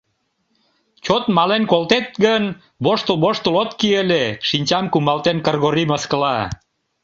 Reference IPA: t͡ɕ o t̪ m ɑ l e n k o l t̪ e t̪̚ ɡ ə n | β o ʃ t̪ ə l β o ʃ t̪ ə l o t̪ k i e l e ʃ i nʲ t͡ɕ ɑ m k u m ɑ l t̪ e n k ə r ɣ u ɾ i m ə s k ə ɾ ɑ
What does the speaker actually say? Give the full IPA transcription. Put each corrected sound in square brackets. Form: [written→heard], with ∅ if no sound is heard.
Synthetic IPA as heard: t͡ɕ o t̪ m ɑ l e n k o l t̪ e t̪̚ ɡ ə n | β o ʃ t̪ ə l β o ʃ t̪ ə l o t̪ k i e l e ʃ i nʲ t͡ɕ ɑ m k u m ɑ l t̪ e n k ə r ɣ [u→o] ɾ i m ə s k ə [ɾ→l] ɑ